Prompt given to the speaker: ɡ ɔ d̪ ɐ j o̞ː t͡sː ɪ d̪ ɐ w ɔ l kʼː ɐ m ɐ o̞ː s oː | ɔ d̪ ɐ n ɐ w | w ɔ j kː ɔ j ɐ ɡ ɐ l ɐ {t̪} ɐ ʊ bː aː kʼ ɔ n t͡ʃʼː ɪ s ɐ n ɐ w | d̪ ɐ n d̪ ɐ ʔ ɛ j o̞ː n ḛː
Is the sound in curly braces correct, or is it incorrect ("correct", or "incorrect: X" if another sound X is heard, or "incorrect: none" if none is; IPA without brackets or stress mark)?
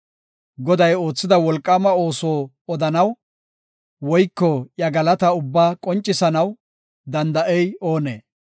correct